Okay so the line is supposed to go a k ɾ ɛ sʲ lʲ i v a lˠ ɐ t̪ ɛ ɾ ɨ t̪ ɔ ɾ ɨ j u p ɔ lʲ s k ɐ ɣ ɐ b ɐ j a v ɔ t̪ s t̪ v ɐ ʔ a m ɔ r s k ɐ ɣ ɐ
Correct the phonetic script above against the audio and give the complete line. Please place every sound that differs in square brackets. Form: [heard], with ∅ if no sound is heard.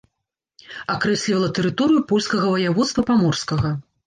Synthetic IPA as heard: a k ɾ ɛ sʲ lʲ i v [ɐ] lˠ ɐ t̪ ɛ ɾ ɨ t̪ ɔ ɾ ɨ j u p ɔ lʲ s k ɐ ɣ ɐ [v] ɐ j a v ɔ t̪ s t̪ v ɐ [p] a m ɔ r s k ɐ ɣ ɐ